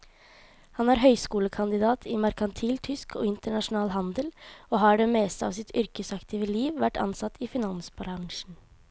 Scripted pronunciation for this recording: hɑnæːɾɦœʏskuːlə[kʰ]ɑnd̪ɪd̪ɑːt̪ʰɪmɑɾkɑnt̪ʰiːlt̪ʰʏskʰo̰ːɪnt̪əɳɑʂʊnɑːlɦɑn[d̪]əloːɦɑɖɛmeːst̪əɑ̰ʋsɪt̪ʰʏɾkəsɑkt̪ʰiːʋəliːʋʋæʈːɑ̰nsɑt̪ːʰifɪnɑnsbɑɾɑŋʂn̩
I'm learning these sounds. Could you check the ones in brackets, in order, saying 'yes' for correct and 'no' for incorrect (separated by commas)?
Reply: yes, yes